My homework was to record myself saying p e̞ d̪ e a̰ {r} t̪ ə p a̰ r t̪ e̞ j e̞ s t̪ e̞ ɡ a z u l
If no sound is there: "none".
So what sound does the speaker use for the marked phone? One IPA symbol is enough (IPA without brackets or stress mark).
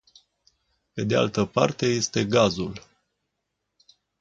l